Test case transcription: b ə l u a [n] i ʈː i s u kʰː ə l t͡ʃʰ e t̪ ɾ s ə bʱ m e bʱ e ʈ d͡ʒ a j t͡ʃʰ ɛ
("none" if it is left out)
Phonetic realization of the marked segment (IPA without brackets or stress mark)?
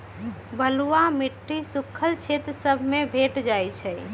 m